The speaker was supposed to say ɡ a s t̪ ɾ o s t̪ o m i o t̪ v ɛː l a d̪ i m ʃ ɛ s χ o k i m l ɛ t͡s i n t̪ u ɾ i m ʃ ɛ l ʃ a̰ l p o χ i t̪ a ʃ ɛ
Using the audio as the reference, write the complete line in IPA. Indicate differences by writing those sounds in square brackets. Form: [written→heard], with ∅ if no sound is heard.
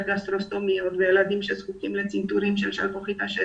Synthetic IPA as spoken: ɡ a s t̪ ɾ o s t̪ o m i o t̪ v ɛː l a d̪ i m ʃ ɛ s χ [o→u] k i m l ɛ t͡s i n t̪ u ɾ i m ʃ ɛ l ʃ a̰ l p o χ i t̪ a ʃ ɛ